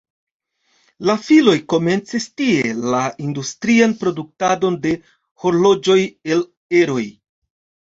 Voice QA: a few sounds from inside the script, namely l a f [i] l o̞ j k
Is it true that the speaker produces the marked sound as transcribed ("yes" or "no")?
yes